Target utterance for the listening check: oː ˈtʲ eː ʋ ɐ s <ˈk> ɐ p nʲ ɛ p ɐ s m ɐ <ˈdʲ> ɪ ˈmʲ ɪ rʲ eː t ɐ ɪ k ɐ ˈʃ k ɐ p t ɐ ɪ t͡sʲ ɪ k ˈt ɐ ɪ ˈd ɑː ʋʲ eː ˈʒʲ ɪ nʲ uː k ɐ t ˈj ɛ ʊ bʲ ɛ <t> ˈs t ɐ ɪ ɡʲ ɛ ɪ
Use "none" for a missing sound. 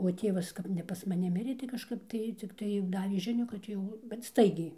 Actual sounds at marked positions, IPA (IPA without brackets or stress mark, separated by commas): k, nʲ, t